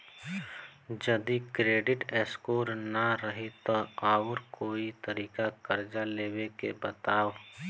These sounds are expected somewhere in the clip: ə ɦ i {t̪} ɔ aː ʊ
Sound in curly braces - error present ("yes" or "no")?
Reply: no